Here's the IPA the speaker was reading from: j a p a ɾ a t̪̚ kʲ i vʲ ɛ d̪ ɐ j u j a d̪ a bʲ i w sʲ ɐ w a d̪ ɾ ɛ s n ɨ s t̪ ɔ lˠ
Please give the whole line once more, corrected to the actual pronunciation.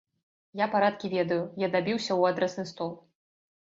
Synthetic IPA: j a p a ɾ a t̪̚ kʲ i vʲ ɛ d̪ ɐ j u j a d̪ a bʲ i w sʲ ɐ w a d̪ ɾ ɛ s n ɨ s t̪ ɔ lˠ